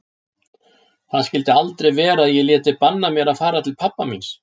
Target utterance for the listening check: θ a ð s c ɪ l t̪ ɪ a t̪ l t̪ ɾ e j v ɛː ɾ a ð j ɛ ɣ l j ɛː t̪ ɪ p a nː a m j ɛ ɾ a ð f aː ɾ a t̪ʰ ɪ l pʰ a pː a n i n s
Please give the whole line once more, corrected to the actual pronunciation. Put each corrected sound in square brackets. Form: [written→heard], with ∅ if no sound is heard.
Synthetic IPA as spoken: θ a ð s c ɪ l t̪ ɪ a [t̪→∅] l t̪ ɾ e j v ɛː ɾ a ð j ɛ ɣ l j ɛː t̪ ɪ p a nː a m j ɛ ɾ a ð f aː ɾ a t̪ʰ ɪ l pʰ a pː a [n→m] i n s